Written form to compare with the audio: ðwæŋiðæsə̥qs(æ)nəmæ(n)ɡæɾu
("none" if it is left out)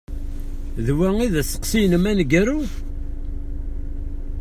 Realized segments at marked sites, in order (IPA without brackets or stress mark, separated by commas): i, n